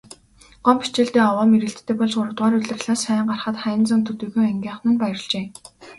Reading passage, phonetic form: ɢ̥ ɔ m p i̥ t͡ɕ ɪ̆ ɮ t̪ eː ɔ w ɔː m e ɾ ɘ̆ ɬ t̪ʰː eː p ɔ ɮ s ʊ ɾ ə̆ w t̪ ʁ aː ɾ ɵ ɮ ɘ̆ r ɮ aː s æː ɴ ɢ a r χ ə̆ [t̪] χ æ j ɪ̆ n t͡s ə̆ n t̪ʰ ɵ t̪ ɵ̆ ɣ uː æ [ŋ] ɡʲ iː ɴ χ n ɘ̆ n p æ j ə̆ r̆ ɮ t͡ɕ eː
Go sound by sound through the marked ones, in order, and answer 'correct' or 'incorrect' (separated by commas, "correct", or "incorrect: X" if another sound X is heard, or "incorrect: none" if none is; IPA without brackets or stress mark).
correct, correct